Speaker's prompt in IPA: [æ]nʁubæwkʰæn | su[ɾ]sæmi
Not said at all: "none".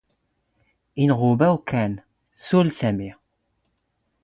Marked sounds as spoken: i, l

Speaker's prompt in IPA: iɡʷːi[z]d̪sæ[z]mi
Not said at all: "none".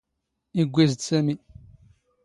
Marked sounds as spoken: z, none

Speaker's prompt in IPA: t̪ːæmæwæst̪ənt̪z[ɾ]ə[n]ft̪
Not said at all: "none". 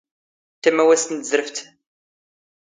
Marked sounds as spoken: ɾ, none

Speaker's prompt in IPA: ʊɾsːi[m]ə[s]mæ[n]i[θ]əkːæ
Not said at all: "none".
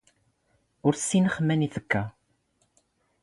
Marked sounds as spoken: n, χ, n, θ

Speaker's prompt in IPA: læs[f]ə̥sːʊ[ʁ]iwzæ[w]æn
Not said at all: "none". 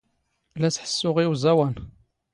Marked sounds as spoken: ħ, ʁ, w

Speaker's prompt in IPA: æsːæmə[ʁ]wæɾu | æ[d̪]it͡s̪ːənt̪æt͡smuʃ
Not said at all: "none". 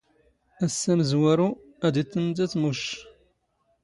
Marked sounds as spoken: z, d̪

